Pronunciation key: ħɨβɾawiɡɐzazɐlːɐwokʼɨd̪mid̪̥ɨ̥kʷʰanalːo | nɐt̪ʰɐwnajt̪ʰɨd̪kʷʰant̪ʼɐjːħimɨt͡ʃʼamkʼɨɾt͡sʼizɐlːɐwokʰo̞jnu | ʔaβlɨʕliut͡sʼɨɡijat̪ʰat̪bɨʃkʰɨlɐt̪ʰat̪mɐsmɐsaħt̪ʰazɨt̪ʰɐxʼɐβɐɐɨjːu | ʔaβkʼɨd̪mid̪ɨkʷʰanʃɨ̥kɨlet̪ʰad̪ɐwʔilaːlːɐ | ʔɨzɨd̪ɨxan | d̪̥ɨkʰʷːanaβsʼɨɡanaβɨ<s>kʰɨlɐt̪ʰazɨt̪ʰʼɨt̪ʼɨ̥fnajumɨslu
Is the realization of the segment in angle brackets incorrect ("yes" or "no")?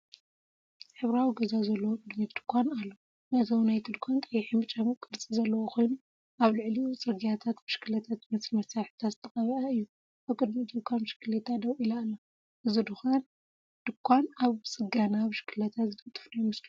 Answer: yes